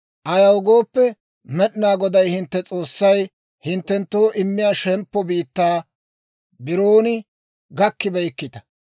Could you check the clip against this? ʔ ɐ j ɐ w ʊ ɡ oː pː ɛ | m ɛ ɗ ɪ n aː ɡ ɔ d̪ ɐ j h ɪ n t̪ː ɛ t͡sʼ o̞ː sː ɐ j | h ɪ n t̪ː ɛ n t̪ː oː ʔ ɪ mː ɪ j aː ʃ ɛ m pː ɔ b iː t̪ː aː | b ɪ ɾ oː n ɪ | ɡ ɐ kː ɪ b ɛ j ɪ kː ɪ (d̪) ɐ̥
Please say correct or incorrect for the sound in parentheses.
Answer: incorrect: t̪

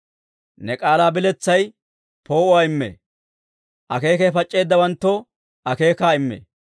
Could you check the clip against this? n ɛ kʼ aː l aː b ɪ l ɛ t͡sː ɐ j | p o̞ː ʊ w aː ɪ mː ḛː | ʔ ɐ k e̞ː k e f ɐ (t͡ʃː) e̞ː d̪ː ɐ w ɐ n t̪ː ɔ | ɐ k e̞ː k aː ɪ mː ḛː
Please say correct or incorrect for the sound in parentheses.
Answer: incorrect: t͡ʃʼː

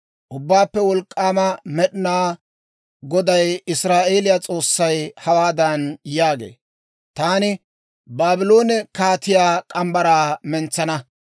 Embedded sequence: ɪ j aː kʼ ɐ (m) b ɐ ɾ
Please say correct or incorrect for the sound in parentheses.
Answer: correct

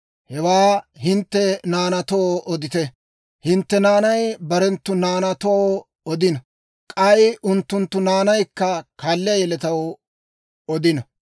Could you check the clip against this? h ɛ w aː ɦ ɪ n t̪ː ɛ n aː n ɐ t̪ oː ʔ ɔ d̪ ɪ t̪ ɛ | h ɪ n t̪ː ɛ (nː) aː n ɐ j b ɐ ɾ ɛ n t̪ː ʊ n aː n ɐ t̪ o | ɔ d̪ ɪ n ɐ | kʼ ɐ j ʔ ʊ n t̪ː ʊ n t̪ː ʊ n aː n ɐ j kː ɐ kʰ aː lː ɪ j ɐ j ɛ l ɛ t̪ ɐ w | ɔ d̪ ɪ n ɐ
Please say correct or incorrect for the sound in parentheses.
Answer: incorrect: n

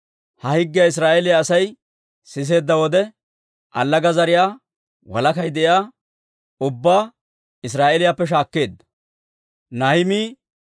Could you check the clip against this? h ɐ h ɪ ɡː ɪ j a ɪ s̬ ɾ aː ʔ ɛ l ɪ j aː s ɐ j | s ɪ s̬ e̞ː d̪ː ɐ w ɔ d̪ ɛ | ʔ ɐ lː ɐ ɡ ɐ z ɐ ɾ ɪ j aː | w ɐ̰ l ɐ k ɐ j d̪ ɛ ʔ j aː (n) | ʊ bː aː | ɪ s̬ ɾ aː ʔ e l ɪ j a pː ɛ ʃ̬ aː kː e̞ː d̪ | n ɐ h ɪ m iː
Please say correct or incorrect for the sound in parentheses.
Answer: incorrect: none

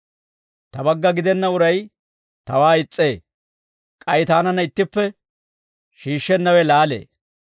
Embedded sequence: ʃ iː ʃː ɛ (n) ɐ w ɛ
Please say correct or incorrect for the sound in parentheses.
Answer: incorrect: nː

